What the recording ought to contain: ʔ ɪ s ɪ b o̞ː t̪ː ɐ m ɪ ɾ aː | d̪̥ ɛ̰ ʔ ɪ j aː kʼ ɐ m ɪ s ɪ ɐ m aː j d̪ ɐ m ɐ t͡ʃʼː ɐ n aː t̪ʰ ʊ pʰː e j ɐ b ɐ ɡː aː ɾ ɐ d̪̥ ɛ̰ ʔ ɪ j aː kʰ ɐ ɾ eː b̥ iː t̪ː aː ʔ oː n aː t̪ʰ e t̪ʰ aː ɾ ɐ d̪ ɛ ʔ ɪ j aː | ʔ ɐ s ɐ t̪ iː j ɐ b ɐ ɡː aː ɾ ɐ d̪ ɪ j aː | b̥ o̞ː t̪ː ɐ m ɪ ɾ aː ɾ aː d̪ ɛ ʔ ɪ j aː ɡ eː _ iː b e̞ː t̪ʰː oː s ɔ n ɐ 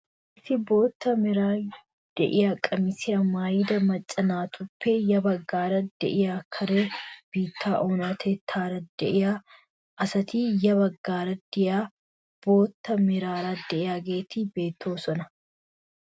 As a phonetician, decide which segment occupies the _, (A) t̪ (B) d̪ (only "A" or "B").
A